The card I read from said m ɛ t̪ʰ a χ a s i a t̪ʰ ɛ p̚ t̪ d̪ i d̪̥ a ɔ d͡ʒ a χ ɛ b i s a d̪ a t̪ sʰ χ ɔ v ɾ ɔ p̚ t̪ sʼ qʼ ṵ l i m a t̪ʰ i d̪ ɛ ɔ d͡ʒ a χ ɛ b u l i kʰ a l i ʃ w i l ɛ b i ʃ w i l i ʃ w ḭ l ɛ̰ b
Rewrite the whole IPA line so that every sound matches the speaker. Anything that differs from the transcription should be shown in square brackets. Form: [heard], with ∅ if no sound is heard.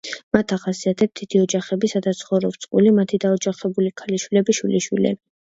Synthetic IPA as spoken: m [a] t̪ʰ a χ a s i a t̪ʰ ɛ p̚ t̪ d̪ i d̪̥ [i] ɔ d͡ʒ a χ ɛ b i s a d̪ a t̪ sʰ χ ɔ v ɾ ɔ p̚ t̪ sʼ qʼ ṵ l i m a t̪ʰ i d̪ [a] ɔ d͡ʒ a χ ɛ b u l i kʰ a l i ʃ w i l ɛ b i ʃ w i l i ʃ w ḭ l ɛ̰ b

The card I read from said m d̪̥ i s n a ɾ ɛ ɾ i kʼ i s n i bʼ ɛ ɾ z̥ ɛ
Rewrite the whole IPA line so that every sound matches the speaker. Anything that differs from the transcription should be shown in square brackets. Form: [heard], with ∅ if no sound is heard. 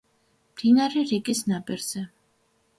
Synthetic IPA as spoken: m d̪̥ i [∅] n a ɾ ɛ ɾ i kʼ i s n [a] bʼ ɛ ɾ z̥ ɛ

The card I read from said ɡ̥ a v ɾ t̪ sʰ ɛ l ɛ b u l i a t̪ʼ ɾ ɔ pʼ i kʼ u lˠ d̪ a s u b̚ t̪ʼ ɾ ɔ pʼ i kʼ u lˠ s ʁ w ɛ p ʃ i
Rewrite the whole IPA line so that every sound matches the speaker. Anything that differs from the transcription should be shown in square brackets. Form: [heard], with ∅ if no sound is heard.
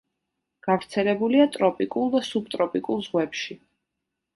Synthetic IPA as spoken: ɡ̥ a v ɾ t̪ sʰ ɛ l ɛ b u l i a t̪ʼ ɾ ɔ pʼ i kʼ u lˠ d̪ a s u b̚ t̪ʼ ɾ ɔ pʼ i kʼ u lˠ [z] ʁ w ɛ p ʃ i

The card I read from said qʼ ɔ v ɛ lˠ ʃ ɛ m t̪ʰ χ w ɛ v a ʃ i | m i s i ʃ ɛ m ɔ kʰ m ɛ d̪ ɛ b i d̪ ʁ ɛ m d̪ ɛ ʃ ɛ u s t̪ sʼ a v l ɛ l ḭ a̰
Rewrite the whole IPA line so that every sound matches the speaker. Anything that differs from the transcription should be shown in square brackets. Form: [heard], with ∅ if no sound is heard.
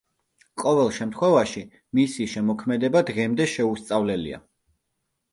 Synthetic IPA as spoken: qʼ ɔ v ɛ lˠ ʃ ɛ m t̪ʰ χ w ɛ v a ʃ i | m i s i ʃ ɛ m ɔ kʰ m ɛ d̪ ɛ b [a] d̪ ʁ ɛ m d̪ ɛ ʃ ɛ u s t̪ sʼ a v l ɛ l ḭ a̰

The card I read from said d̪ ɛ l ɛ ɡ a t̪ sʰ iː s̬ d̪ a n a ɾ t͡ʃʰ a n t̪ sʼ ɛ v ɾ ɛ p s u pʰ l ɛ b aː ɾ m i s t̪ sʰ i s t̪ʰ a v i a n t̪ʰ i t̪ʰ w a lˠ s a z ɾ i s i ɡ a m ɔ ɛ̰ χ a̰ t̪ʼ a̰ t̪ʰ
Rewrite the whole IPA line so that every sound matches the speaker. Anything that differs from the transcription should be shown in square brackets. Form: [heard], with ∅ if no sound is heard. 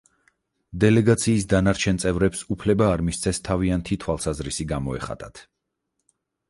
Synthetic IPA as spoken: d̪ ɛ l ɛ ɡ a t̪ sʰ iː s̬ d̪ a n a ɾ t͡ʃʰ [ɛ] n t̪ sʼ ɛ v ɾ ɛ p s u pʰ l ɛ b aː ɾ m i s t̪ sʰ [ɛ] s t̪ʰ a v i a n t̪ʰ i t̪ʰ w a lˠ s a z ɾ i s i ɡ a m ɔ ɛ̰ χ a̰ t̪ʼ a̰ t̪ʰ

